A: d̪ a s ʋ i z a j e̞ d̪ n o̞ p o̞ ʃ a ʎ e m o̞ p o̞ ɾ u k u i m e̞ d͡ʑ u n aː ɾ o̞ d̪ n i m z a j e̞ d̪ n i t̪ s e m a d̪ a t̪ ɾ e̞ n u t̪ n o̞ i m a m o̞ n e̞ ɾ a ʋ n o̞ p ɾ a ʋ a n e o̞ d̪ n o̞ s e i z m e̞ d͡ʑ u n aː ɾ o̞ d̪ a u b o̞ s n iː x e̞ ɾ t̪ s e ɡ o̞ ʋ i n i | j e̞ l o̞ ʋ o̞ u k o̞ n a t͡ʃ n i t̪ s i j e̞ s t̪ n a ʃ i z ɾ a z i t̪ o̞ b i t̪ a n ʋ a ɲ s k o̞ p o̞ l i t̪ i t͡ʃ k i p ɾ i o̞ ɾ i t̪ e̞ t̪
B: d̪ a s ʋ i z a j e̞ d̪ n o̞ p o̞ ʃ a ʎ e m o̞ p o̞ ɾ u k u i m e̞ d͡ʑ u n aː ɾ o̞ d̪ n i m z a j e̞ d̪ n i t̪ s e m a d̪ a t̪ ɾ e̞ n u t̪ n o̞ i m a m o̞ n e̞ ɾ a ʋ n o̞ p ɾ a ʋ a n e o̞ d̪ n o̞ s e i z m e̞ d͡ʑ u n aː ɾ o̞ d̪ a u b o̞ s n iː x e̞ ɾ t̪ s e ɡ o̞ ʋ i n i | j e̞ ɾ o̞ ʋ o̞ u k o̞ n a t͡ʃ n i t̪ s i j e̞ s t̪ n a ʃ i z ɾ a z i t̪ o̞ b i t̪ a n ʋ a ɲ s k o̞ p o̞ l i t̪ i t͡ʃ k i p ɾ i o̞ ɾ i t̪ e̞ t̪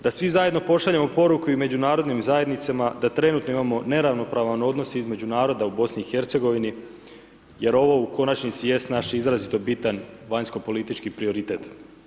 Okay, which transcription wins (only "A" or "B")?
B